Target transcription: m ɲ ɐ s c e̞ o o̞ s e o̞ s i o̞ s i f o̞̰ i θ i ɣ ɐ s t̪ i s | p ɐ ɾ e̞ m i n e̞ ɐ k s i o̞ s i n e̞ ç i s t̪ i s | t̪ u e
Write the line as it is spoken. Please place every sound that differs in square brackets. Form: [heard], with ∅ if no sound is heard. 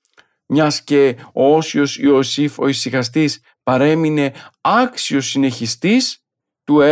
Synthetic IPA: m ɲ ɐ s c e̞ o o̞ s [i] o̞ s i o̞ s i f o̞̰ i [s] i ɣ ɐ s t̪ i s | p ɐ ɾ e̞ m i n e̞ ɐ k s i o̞ s i n e̞ ç i s t̪ i s | t̪ u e